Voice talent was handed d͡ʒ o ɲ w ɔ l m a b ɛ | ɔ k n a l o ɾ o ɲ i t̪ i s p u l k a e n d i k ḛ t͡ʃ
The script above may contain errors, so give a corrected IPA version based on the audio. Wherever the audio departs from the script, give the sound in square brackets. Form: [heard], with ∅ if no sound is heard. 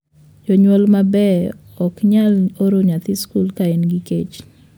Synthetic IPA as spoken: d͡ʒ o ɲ w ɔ l m a b ɛ | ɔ k [ɲ] a l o ɾ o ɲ [a] t̪ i s [k] u l k a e n [ɡ] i k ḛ t͡ʃ